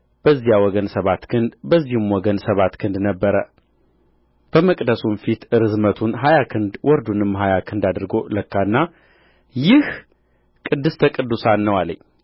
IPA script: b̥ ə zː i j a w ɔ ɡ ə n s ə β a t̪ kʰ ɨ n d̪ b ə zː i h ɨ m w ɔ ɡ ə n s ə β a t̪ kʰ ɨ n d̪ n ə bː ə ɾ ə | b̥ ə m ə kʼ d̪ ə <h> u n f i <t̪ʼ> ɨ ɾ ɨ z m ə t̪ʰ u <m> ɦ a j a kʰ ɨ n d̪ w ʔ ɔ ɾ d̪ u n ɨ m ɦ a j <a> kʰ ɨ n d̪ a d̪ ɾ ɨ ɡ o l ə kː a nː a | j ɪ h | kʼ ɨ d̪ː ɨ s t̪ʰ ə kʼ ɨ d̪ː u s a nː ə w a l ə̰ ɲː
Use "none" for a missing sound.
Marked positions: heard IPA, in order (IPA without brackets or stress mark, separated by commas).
s, t̪, n, a